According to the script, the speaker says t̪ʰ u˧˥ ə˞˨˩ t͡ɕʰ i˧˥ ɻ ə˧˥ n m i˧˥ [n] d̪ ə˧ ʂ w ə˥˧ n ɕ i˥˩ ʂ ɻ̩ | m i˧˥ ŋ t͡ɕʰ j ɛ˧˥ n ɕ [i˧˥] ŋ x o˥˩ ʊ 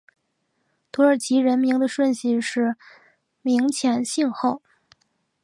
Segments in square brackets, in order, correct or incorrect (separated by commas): incorrect, incorrect